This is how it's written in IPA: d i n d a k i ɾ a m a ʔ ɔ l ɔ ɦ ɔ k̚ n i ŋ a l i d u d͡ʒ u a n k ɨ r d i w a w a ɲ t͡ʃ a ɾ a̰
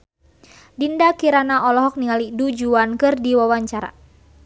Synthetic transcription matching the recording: d i n d a k i ɾ a n a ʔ ɔ l ɔ ɦ ɔ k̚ n i ŋ a l i d u d͡ʒ u a n k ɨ r d i w a w a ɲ t͡ʃ a ɾ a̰